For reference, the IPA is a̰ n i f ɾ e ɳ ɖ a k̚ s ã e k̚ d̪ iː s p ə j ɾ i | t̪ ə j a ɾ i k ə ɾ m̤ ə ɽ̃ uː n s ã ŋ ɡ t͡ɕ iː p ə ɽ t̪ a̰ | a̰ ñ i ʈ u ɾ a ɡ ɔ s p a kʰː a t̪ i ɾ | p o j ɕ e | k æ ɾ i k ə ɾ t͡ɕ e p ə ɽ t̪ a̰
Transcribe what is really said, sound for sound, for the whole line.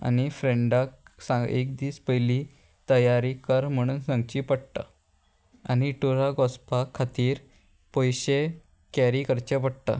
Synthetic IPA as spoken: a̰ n i f ɾ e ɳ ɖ a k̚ s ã e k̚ d̪ iː s p ə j l i | t̪ ə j a ɾ i k ə ɾ m̤ ə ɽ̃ uː n s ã ŋ ɡ t͡ɕ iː p ə ɽ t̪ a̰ | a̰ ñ i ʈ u ɾ a ɡ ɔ s p a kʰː a t̪ iː ɾ | p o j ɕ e | k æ ɾ i k ə ɾ t͡ɕ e p ə ɽ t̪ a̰